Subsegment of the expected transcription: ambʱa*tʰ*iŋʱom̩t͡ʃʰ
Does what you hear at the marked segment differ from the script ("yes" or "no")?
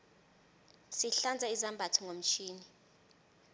no